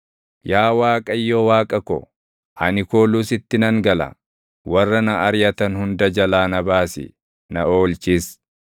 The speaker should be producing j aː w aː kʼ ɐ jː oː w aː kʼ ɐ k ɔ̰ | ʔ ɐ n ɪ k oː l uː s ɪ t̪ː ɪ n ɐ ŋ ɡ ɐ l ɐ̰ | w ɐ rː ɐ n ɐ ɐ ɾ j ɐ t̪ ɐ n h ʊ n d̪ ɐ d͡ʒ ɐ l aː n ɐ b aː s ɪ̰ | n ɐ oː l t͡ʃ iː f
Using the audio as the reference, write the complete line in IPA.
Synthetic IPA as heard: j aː w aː kʼ ɐ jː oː w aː kʼ ɐ k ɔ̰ | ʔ ɐ n ɪ k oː l uː s ɪ t̪ː ɪ n ɐ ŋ ɡ ɐ l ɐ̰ | w ɐ rː ɐ n ɐ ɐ ɾ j ɐ t̪ ɐ n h ʊ n d̪ ɐ d͡ʒ ɐ l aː n ɐ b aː s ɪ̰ | n ɐ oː l t͡ʃ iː s